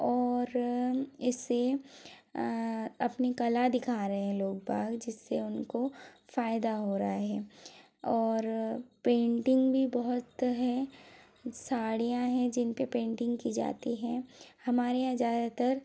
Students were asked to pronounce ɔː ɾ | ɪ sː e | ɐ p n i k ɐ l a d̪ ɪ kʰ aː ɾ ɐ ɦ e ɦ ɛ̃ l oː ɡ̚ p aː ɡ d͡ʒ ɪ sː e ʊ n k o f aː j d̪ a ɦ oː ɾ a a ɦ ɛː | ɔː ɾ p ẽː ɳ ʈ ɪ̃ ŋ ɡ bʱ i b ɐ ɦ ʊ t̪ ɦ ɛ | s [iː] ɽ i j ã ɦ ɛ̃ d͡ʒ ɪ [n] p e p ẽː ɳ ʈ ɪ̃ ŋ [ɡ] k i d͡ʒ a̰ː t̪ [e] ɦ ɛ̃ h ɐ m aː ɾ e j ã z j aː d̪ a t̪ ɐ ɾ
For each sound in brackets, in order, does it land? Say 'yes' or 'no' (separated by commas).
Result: no, yes, yes, no